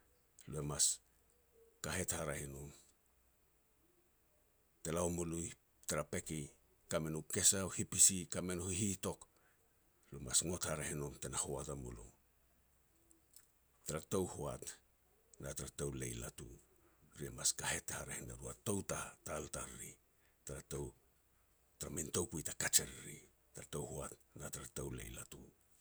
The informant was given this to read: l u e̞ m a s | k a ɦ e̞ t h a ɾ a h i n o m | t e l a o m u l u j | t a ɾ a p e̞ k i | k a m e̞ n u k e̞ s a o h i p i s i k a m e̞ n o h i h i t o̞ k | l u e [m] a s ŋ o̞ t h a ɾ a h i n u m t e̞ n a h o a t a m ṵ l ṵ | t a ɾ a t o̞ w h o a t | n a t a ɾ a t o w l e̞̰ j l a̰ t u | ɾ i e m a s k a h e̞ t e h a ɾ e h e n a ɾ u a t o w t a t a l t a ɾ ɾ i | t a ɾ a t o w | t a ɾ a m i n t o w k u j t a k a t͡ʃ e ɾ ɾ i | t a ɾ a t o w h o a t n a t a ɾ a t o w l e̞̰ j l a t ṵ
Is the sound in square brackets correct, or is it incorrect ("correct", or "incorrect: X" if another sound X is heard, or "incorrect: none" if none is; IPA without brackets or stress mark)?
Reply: correct